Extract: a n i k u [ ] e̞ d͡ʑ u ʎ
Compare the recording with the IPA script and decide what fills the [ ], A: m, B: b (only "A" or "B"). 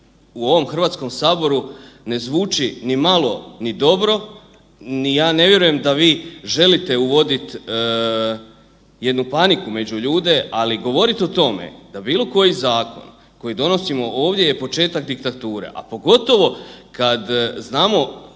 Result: A